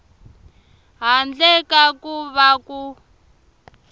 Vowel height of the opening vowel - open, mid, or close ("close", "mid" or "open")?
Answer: open